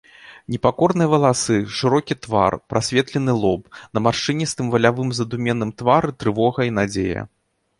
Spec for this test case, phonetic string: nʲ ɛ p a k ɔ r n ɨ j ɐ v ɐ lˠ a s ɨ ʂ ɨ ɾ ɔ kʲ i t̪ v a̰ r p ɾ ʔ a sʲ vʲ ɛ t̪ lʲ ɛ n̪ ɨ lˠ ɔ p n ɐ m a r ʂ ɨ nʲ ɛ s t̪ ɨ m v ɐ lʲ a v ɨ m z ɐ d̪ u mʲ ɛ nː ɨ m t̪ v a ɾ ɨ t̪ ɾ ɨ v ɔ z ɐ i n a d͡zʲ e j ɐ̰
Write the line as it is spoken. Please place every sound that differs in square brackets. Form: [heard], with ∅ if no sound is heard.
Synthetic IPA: nʲ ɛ p a k ɔ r n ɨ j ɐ v ɐ lˠ a s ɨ ʂ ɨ ɾ ɔ kʲ i t̪ v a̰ r p ɾ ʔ a sʲ vʲ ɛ t̪ lʲ ɛ n̪ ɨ lˠ ɔ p n ɐ m a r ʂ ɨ nʲ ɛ s t̪ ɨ m v ɐ lʲ a v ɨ m z ɐ d̪ u mʲ ɛ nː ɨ m t̪ v a ɾ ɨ t̪ ɾ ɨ v ɔ [ɣ] ɐ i n a d͡zʲ e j ɐ̰